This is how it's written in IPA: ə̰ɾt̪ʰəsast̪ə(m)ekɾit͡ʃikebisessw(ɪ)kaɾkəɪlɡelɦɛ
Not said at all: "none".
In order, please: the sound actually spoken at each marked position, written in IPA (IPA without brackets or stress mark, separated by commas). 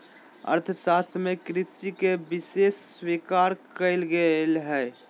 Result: m, i